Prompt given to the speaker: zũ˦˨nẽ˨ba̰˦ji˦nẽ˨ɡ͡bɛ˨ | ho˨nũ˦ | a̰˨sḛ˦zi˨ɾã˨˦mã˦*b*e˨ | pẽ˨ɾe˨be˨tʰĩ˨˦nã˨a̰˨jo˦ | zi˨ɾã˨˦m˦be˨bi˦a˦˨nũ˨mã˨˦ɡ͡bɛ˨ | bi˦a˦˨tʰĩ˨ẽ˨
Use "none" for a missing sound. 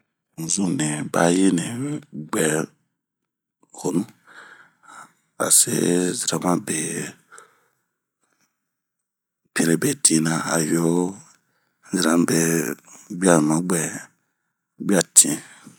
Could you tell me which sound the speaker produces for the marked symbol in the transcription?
b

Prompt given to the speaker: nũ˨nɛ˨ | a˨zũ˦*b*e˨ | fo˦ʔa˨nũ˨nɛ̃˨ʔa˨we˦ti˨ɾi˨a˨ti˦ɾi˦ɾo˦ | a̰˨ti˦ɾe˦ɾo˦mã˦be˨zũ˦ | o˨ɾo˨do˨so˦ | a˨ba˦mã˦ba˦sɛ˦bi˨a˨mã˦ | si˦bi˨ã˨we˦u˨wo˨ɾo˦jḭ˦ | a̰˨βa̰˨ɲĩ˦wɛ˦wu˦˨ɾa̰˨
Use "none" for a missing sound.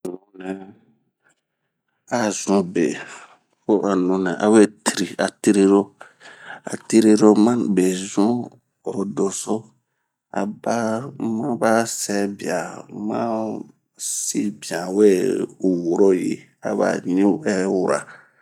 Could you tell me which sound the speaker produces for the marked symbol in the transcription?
b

